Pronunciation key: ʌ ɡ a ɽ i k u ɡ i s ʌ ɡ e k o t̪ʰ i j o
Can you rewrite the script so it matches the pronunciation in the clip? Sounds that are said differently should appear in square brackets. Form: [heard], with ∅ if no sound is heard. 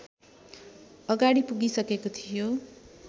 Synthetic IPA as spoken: ʌ ɡ a ɽ i [p] u ɡ i s ʌ [k] e k o t̪ʰ i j o